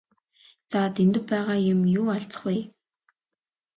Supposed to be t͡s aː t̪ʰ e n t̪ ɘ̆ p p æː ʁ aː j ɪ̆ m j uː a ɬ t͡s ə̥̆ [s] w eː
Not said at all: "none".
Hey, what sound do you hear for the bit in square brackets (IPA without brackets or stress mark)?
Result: χ